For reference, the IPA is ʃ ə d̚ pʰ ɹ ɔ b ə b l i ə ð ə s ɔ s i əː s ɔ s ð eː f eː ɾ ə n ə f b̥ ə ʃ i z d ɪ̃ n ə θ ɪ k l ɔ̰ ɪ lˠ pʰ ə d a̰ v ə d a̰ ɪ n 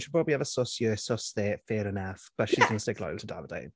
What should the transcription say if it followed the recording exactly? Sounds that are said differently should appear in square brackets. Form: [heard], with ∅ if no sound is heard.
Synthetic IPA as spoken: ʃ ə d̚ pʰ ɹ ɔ b ə b l i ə [v] ə s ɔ s [j] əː s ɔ s ð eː f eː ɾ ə n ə f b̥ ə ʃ i z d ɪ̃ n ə [s] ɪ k l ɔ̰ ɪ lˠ [tʰ] ə d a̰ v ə d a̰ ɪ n